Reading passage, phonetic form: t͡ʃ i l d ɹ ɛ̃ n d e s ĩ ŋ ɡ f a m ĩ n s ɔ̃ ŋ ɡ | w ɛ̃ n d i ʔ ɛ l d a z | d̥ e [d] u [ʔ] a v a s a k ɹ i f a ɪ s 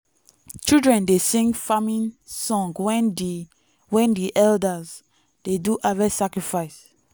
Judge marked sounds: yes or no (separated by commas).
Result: yes, yes